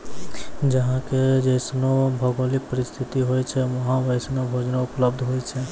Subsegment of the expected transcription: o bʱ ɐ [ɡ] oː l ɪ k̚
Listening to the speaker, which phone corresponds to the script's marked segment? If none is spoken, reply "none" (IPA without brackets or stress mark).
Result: ɡ